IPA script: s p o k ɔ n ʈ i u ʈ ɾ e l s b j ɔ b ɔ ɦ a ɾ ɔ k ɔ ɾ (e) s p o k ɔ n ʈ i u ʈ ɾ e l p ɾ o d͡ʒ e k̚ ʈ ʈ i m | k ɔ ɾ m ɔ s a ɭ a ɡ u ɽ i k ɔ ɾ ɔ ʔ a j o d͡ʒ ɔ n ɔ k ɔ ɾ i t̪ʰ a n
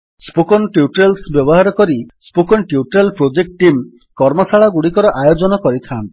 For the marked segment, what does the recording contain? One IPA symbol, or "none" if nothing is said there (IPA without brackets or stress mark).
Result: i